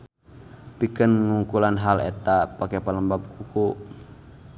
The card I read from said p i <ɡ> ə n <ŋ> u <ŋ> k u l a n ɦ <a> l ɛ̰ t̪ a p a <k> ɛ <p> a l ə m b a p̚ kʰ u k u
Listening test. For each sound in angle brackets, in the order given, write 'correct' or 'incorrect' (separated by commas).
incorrect, correct, correct, correct, correct, correct